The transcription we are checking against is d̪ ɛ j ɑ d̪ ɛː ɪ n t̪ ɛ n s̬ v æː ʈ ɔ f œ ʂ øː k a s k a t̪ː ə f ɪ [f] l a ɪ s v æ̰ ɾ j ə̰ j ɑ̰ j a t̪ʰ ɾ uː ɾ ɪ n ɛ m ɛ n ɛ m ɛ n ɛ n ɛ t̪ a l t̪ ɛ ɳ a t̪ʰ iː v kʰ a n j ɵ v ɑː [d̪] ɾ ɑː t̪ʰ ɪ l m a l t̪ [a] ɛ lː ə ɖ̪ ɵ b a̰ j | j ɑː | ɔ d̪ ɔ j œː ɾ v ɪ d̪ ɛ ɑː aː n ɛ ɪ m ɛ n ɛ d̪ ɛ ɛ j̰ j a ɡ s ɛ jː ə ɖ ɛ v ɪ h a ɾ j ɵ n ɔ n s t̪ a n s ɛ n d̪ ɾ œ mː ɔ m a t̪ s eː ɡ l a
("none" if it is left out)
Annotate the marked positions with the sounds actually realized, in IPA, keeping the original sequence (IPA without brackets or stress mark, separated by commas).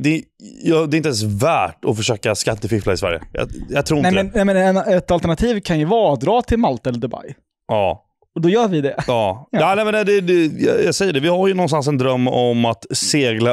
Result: f, d̪, a